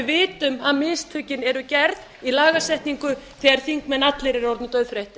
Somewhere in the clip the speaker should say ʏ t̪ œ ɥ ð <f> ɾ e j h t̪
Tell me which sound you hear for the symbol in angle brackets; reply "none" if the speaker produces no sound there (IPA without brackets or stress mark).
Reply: f